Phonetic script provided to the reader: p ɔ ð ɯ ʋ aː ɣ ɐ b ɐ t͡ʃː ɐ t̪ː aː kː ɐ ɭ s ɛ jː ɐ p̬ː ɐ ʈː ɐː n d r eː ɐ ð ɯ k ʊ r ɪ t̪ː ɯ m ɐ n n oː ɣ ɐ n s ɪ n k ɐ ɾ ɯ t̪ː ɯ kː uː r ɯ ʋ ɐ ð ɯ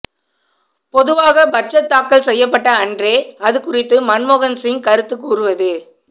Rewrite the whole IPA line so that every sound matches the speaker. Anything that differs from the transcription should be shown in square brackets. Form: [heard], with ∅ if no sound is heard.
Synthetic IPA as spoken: p ɔ ð ɯ ʋ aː ɣ ɐ b ɐ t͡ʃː ɐ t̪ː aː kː ɐ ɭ s ɛ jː ɐ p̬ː ɐ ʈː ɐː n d r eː ɐ ð ɯ k ʊ r ɪ t̪ː ɯ m ɐ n [m] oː ɣ ɐ n s ɪ [ŋ] k ɐ ɾ ɯ t̪ː ɯ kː uː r ɯ ʋ ɐ ð ɯ